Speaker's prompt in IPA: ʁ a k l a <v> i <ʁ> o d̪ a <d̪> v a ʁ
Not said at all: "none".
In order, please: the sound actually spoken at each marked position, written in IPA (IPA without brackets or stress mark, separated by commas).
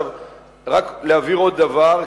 v, ʁ, none